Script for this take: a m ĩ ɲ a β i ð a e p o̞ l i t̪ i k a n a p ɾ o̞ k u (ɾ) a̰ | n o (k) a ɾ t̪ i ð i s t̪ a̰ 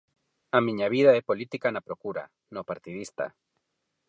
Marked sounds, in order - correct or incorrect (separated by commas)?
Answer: correct, incorrect